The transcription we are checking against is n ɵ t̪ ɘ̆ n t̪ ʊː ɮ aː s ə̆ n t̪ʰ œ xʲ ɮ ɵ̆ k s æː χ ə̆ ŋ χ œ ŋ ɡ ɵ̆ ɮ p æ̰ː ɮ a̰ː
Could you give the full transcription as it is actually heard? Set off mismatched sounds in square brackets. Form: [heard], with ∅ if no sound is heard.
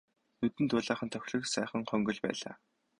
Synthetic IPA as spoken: n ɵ t̪ ɘ̆ n t̪ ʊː ɮ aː [χ] ə̆ n t̪ʰ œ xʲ ɮ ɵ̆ k s æː χ ə̆ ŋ χ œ ŋ ɡ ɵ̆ ɮ p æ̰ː ɮ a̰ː